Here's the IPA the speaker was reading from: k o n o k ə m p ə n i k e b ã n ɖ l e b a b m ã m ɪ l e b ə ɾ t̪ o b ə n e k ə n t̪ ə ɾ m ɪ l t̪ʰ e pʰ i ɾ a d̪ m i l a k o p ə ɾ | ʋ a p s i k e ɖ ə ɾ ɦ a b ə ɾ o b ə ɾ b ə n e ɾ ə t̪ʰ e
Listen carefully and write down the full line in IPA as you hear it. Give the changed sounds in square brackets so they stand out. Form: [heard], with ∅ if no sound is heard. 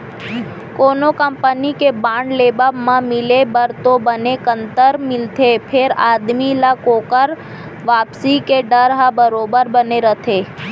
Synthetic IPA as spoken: k o n o k ə m p ə n i k e b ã [ɳ] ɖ l e b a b m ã m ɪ l e b ə ɾ t̪ o b ə n e k ə n t̪ ə ɾ m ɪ l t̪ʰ e pʰ [e] ɾ a d̪ m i l a k o [k] ə ɾ | ʋ a p s i k e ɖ ə ɾ ɦ a b ə ɾ o b ə ɾ b ə n e ɾ ə t̪ʰ e